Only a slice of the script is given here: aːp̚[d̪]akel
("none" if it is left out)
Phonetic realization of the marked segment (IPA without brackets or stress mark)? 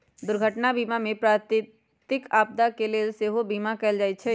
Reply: d̪